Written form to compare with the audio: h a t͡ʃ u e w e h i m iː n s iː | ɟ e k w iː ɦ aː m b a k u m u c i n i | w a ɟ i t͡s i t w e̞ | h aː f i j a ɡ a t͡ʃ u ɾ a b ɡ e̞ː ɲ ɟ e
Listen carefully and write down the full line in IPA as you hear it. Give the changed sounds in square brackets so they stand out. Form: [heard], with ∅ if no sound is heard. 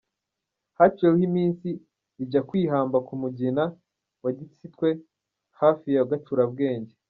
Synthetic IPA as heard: h a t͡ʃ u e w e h i m iː n s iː | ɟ [a] k w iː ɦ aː m b a k u m u [ɟ] i n [a] | w a ɟ i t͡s i t w e̞ | h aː f i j a ɡ a t͡ʃ u ɾ a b ɡ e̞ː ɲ ɟ e